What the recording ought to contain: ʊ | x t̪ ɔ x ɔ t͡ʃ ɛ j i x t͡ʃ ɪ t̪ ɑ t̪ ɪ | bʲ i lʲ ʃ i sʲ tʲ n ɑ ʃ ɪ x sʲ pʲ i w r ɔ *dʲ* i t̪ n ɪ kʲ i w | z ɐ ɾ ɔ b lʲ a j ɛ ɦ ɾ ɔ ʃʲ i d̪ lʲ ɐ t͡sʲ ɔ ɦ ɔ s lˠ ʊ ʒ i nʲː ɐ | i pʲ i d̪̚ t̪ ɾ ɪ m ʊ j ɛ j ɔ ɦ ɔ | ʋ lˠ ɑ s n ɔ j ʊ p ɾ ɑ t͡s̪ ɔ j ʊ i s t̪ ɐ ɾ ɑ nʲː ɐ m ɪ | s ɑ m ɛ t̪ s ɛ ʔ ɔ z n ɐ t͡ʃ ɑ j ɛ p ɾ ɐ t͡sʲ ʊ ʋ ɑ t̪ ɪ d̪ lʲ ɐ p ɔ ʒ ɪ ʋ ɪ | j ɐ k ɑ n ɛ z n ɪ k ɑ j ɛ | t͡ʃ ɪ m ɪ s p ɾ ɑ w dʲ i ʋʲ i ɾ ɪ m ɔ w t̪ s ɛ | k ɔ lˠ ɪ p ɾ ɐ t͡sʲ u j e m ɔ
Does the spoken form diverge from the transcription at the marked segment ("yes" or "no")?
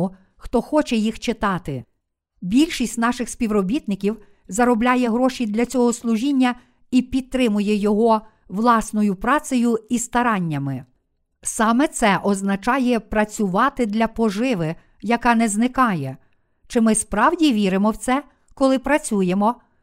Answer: yes